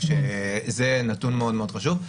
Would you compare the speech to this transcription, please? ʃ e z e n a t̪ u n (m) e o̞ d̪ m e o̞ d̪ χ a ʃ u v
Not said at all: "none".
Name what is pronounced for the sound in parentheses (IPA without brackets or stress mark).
m